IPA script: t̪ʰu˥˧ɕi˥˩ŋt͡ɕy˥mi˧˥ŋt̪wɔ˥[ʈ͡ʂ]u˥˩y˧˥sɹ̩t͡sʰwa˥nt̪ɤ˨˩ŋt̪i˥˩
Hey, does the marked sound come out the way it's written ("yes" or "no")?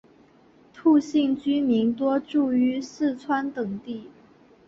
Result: yes